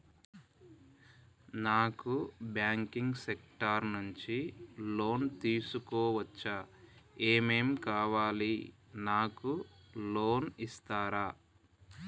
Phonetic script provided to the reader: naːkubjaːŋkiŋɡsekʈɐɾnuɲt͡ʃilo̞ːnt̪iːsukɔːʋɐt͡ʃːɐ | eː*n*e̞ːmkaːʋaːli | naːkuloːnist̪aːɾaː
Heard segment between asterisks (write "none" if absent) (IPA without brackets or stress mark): m